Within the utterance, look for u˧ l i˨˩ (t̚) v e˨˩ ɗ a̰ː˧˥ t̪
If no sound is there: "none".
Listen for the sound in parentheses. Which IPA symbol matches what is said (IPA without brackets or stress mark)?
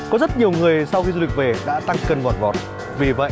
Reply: k̚